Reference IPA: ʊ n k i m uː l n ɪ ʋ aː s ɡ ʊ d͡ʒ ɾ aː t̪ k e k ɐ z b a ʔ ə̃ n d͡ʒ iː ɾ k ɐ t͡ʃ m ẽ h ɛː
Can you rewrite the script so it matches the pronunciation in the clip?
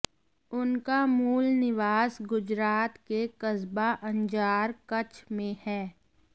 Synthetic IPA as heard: ʊ n k a m uː l n ɪ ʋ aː s ɡ ʊ d͡ʒ ɾ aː t̪ k e k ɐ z b a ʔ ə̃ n d͡ʒ aː ɾ k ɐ t͡ʃ m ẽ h ɛː